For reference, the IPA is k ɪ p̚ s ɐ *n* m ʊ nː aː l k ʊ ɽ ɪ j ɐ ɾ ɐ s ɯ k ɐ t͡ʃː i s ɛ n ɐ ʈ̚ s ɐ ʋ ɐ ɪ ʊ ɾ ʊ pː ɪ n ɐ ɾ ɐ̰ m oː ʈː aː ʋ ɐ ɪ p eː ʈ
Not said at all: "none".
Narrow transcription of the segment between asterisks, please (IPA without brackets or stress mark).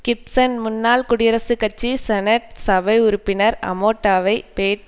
n